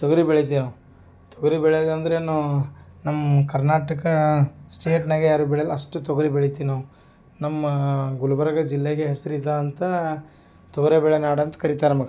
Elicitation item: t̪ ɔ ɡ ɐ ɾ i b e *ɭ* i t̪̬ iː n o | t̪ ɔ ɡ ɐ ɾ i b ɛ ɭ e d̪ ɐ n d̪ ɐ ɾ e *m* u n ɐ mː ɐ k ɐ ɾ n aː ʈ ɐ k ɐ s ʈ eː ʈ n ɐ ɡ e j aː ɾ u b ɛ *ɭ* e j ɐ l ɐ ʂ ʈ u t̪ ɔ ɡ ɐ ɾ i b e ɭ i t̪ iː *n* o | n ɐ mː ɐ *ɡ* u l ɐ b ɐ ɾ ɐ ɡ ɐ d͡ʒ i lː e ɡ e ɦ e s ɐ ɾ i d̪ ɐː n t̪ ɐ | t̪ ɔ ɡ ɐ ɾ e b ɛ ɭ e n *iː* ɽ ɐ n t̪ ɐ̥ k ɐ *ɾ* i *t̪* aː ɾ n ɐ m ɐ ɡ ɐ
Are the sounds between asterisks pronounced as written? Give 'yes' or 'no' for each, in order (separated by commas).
yes, no, yes, yes, yes, no, yes, yes